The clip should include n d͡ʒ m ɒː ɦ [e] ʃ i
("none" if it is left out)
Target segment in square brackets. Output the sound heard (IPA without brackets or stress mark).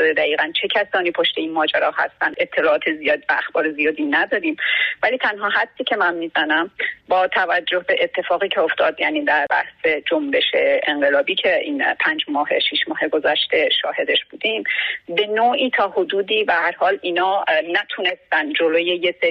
e